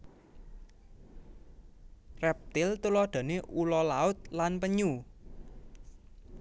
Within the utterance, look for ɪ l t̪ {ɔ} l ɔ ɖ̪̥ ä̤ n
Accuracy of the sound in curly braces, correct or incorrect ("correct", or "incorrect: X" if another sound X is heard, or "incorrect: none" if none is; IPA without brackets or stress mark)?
incorrect: u